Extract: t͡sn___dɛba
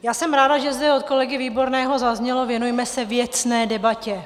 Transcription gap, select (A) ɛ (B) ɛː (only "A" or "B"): B